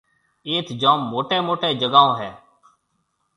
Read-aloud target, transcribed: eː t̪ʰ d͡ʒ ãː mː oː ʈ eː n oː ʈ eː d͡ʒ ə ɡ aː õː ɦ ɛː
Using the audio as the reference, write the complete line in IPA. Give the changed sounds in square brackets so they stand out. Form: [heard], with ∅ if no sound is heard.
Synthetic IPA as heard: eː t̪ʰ d͡ʒ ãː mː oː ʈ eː [m] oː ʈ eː d͡ʒ ə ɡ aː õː ɦ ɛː